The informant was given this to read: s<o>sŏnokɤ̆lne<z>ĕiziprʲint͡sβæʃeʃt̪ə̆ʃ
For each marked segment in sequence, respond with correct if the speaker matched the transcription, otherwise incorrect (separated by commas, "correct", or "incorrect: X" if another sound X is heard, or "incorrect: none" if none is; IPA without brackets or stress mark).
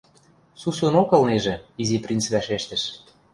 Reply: incorrect: u, incorrect: ʒ